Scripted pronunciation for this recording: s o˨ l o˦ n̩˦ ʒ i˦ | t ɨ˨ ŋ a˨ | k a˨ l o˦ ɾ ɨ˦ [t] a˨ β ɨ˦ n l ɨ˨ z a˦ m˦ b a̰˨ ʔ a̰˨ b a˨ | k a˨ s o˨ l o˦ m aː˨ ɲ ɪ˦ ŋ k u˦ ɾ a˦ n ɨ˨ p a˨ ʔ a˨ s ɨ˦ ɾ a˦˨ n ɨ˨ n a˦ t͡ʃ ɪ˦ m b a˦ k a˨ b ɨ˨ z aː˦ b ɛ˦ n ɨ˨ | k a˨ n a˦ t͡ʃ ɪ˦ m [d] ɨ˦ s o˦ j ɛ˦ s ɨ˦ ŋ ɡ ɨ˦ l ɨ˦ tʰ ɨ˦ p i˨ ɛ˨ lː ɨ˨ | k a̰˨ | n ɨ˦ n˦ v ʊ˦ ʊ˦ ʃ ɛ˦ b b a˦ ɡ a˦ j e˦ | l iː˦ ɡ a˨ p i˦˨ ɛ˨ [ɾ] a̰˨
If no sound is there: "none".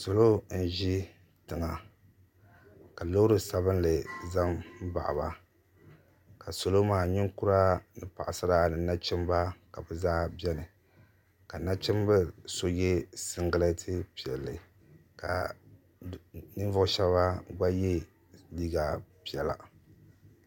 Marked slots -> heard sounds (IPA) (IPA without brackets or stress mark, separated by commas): s, b, l